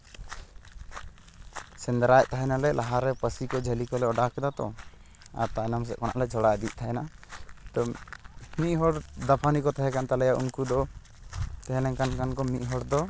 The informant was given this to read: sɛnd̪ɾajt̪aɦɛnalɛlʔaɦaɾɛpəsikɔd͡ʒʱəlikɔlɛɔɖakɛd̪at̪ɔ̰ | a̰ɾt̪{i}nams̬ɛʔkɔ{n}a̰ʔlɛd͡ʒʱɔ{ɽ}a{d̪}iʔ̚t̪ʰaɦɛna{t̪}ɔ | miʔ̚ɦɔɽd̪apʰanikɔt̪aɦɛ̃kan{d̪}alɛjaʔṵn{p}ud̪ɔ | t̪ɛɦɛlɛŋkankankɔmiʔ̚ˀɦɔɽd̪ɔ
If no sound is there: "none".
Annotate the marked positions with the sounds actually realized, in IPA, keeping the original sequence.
a, n, ɽ, d̪, t̪, t̪, k

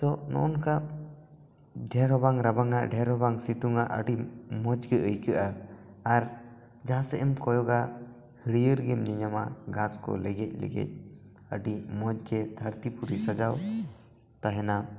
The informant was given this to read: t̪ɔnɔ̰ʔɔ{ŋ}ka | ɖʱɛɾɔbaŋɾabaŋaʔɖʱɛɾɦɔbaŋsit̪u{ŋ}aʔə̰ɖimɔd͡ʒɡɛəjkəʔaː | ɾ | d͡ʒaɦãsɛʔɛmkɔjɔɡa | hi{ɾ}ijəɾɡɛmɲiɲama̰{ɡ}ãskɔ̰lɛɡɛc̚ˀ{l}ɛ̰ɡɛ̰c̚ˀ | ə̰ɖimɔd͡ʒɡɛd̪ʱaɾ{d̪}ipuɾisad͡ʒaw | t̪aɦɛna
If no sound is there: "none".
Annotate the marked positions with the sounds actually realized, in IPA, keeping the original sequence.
n, ŋ, ɽ, ɡ, l, t̪

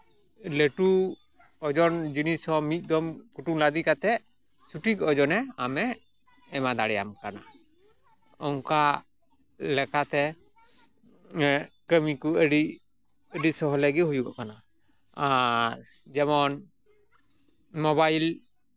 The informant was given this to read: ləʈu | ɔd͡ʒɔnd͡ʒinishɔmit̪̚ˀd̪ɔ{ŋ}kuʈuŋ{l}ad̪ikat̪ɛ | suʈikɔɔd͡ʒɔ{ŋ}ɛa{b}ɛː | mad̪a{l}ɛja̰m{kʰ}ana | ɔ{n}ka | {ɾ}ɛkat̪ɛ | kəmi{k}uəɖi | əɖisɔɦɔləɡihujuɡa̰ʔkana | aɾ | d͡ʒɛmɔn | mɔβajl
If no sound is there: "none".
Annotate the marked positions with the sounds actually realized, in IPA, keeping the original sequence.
m, l, n, m, ɽ, k, ŋ, l, k

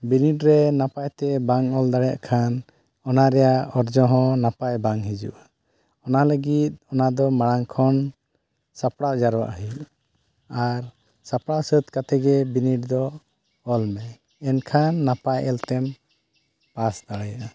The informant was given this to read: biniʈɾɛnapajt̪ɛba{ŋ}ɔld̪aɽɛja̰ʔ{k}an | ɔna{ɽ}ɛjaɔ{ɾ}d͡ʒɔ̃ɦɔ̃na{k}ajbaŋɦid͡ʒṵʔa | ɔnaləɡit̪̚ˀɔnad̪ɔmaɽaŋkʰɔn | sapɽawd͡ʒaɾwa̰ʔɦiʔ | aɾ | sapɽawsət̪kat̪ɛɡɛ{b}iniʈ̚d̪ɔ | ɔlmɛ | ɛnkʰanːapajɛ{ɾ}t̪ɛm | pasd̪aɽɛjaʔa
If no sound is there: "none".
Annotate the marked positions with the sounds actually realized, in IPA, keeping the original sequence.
ŋ, kʰ, ɾ, ɾ, p, b, l

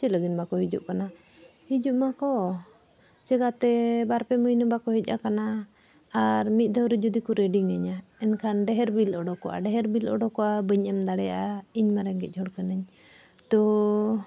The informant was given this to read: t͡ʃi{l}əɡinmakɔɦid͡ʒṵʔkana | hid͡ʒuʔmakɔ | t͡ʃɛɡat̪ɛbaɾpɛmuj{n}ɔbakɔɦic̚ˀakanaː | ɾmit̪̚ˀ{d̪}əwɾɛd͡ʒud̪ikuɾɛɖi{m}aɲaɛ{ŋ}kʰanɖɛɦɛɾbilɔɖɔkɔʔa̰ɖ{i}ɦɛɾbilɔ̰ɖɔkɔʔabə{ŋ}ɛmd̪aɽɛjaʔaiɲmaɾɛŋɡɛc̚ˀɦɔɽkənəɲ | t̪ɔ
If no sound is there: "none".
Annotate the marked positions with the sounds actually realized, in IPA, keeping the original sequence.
l, n, d̪, ŋ, n, ɛ, ɲ

